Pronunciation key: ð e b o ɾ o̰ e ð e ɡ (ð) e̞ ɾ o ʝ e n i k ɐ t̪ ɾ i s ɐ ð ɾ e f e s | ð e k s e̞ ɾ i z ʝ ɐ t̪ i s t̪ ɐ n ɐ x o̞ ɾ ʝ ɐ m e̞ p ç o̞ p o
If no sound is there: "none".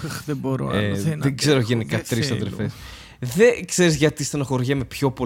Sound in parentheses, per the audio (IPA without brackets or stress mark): z